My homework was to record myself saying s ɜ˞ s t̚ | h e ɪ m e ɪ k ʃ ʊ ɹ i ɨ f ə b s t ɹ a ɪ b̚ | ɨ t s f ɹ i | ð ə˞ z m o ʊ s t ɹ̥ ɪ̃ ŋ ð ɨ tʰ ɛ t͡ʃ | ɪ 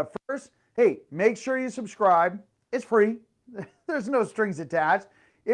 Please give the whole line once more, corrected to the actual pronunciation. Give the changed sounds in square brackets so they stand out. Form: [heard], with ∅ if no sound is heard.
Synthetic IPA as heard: [f] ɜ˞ s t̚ | h e ɪ m e ɪ k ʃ ʊ ɹ [j] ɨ [s] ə b s [k] ɹ a ɪ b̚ | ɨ t s f ɹ i | ð ə˞ z [n] o ʊ s t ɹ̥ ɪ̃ ŋ [z] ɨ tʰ [æ] t͡ʃ | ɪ